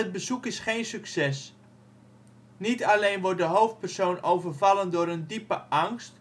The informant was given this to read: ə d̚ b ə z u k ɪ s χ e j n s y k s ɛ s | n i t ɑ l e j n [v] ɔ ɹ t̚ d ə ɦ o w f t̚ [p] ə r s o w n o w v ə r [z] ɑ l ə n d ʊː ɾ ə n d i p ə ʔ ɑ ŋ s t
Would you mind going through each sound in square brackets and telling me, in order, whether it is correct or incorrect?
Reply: incorrect, correct, incorrect

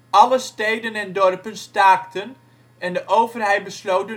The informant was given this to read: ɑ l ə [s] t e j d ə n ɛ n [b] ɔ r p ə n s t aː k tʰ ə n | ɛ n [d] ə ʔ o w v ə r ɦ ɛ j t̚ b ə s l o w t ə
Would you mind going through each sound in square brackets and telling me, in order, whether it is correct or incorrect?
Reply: correct, incorrect, correct

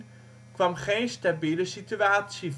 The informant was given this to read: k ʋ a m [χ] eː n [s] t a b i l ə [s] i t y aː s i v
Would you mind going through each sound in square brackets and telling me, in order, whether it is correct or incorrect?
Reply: correct, correct, correct

